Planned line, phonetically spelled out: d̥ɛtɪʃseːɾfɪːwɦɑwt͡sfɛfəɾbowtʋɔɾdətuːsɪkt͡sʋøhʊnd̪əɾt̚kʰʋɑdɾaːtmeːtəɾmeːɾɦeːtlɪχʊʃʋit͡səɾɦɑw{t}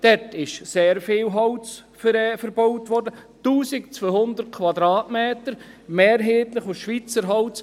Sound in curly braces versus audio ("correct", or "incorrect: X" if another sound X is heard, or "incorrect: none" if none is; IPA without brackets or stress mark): incorrect: t͡s